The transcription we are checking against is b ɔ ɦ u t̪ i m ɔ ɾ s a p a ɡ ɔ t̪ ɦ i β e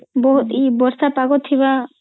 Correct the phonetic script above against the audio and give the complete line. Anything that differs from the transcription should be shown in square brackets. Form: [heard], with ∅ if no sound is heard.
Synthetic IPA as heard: b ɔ ɦ u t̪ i [b] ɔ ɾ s a p a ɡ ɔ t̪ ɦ i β [a]